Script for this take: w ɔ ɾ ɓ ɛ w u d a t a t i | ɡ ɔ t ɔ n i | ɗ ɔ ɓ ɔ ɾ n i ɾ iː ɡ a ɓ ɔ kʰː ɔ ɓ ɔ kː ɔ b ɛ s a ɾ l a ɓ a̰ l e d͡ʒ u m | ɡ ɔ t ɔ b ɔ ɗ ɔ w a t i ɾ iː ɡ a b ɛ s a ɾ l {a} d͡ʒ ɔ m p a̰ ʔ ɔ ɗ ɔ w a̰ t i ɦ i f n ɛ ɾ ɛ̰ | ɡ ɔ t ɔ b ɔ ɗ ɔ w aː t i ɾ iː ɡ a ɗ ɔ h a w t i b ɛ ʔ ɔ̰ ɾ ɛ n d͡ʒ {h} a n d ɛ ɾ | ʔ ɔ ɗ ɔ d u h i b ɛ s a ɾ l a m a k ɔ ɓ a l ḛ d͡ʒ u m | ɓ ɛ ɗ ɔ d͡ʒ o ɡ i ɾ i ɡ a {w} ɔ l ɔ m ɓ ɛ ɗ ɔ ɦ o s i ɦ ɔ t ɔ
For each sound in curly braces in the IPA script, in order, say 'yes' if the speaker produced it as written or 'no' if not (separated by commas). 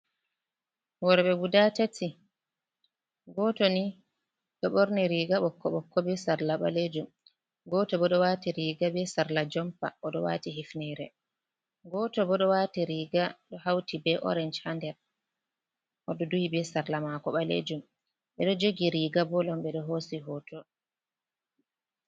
yes, yes, no